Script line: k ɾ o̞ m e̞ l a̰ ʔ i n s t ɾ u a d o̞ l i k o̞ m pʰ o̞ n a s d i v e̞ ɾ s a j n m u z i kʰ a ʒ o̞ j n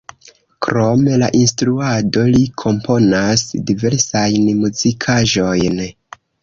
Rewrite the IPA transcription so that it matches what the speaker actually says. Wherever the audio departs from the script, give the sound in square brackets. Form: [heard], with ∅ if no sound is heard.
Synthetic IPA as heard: k ɾ o̞ m e̞ l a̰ ʔ i n s t ɾ u a d o̞ l i [kʰ] o̞ m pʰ o̞ n a s d i v e̞ ɾ s a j n m u z i kʰ a ʒ o̞ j n